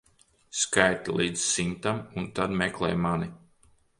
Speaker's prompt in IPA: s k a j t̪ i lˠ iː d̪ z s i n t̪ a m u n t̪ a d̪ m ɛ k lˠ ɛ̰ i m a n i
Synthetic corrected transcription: s k a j t̪ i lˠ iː d̪ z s i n t̪ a m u n t̪ a d̪ m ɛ k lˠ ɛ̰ j m a n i